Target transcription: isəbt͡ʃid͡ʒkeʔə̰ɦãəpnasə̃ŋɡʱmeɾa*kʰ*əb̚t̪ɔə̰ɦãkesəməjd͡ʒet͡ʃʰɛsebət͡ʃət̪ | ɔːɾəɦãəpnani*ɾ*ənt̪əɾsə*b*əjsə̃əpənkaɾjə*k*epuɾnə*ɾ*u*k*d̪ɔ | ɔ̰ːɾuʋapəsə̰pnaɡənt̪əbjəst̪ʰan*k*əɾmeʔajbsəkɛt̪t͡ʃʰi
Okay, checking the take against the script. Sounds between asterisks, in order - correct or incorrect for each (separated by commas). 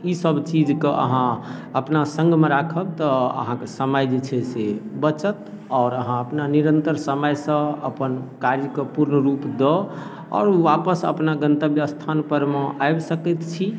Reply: correct, correct, incorrect, correct, correct, incorrect, incorrect